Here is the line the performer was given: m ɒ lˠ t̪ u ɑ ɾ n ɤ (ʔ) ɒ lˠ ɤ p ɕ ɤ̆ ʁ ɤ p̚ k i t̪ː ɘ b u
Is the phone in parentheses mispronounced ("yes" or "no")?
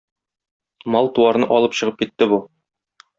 no